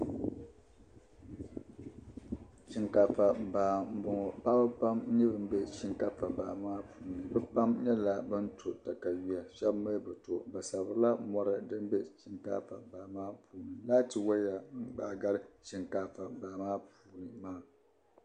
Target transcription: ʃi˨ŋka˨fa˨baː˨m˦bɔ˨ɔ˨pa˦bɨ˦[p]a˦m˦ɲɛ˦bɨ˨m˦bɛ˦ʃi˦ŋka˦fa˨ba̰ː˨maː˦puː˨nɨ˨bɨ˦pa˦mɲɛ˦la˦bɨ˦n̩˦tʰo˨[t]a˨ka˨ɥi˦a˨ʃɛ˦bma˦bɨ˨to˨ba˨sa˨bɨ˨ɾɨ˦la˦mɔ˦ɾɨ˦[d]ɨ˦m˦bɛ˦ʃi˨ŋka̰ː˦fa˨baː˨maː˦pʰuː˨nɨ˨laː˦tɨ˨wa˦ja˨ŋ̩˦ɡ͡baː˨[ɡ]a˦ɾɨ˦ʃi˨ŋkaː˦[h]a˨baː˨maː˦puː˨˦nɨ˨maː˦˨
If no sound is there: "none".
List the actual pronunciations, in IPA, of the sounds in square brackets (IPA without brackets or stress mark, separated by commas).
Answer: p, t, d, ɡ, f